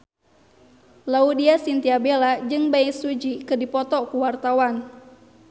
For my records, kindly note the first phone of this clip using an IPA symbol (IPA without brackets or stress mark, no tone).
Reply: l